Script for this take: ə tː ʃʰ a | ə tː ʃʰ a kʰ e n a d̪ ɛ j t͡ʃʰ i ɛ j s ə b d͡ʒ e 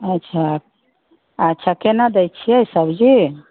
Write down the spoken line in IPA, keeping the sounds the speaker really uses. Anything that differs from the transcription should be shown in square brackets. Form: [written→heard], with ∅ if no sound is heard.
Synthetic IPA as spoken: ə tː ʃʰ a | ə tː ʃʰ a [kʰ→k] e n a d̪ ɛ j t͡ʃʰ i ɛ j s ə b d͡ʒ [e→i]